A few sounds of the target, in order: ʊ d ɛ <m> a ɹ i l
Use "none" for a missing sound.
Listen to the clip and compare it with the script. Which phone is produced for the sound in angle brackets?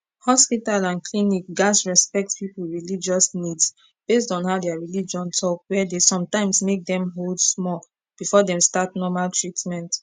none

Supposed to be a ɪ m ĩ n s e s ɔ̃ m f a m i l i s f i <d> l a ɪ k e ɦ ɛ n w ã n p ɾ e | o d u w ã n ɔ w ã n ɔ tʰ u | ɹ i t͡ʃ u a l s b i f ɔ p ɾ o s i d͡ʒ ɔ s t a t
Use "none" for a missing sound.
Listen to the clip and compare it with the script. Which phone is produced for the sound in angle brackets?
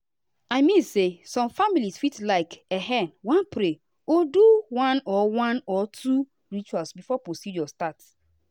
t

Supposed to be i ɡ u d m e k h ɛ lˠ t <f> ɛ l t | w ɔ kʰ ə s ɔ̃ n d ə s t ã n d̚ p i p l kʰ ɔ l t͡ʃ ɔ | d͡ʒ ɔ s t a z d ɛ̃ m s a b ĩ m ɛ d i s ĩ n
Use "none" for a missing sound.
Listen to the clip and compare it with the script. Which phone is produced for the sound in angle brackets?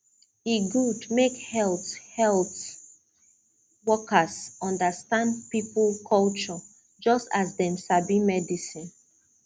h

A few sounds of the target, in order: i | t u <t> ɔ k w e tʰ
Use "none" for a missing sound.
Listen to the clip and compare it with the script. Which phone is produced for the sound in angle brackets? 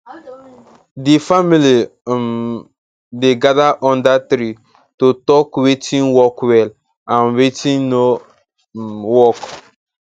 t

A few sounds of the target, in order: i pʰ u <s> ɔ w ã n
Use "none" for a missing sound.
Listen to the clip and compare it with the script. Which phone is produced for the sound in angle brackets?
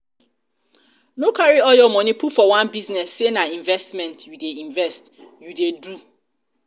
f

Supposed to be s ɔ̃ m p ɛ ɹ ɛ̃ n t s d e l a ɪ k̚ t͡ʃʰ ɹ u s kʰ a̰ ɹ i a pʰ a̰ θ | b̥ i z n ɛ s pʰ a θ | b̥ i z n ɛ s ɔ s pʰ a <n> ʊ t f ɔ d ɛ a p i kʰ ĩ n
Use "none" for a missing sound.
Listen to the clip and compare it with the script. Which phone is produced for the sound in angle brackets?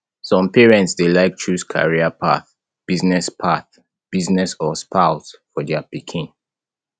none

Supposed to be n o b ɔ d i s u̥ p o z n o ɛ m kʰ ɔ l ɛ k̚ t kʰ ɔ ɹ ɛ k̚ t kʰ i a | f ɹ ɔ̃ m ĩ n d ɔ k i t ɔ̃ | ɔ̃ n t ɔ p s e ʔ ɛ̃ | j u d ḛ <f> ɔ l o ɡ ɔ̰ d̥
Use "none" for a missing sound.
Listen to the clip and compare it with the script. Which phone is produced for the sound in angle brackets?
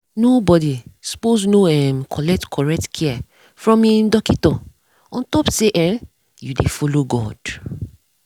f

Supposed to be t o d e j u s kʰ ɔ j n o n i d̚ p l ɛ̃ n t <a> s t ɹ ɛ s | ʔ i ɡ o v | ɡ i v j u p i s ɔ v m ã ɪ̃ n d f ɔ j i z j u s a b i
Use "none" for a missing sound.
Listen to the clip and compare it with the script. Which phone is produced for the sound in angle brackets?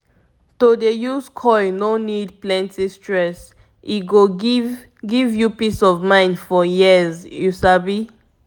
i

